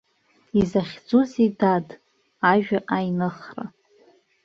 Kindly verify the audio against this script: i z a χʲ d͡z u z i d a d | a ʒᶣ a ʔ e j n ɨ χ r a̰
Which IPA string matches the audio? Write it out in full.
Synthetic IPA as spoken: i z a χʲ d͡z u z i d a d | a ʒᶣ a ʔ a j n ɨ χ r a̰